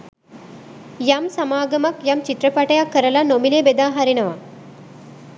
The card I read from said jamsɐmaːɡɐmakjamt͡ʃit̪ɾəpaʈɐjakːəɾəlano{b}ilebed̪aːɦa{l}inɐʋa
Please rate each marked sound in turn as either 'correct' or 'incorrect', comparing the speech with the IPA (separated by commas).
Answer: incorrect, incorrect